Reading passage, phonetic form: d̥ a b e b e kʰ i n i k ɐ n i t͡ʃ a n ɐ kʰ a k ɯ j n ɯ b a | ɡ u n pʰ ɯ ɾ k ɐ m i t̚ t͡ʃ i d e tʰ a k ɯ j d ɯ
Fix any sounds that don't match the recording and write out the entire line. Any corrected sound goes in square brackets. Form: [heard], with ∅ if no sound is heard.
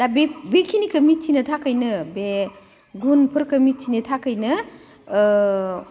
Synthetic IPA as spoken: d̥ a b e b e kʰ i n i k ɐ [m] i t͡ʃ [i] n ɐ [tʰ] a k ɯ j n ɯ b [e] | ɡ u n pʰ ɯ ɾ k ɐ m i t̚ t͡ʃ i [n] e tʰ a k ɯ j [n] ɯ